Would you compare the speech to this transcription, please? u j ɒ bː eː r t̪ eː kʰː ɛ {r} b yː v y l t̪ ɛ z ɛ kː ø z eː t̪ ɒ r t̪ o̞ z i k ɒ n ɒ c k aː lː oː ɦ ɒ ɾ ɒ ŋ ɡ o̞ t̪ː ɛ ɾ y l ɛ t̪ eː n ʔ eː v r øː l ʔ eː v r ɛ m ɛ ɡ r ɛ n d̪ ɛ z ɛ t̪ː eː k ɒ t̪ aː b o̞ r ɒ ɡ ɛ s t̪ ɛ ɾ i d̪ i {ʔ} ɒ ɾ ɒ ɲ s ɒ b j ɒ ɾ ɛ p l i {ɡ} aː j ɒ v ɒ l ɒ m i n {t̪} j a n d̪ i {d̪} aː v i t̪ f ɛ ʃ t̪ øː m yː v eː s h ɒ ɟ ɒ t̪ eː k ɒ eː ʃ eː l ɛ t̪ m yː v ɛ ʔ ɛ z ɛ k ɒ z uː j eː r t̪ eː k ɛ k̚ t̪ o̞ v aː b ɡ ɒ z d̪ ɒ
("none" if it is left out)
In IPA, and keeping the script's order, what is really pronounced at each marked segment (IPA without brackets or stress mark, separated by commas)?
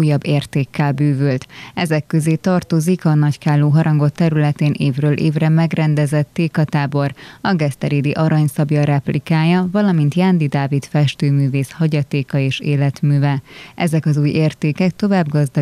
l, ʔ, k, t̪, d̪